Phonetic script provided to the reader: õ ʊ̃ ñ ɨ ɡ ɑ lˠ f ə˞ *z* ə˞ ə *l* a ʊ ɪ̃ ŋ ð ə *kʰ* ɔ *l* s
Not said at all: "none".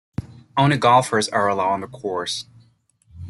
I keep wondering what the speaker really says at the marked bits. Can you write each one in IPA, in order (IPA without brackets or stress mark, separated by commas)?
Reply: z, l, kʰ, ɹ